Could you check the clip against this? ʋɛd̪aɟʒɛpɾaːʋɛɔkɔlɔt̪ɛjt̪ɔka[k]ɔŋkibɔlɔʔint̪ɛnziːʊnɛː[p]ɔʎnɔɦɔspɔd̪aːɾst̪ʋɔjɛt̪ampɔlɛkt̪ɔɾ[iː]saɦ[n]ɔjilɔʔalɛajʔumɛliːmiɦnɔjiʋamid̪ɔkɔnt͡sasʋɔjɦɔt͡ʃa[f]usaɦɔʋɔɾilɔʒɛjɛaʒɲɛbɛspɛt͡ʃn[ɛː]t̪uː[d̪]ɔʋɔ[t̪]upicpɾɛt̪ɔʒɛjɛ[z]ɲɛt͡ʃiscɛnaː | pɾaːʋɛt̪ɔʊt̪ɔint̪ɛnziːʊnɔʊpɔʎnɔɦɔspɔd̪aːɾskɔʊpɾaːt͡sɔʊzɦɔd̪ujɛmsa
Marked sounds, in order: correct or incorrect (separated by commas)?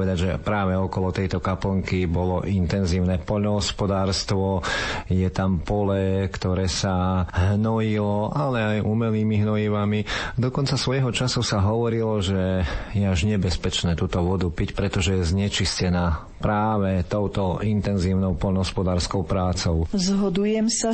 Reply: incorrect, correct, incorrect, correct, incorrect, correct, incorrect, incorrect, correct